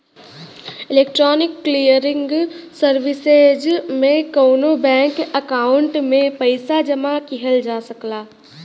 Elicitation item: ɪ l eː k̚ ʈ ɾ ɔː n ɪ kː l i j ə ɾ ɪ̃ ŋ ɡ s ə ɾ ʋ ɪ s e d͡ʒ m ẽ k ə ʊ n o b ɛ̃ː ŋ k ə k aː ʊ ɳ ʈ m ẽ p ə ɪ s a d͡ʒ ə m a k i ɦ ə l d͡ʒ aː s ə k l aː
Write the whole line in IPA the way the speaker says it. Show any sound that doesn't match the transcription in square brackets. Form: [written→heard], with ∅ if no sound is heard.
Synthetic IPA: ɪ l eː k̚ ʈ ɾ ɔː n ɪ kː l i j ə ɾ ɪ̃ ŋ ɡ s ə ɾ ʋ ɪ s e d͡ʒ m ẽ k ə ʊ n o b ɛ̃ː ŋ k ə k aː ʊ ɳ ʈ m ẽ p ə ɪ s a d͡ʒ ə m a k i ɦ ə l d͡ʒ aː s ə k l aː